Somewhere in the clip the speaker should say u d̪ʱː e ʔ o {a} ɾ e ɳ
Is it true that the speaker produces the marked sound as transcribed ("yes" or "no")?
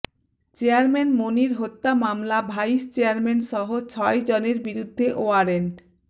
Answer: yes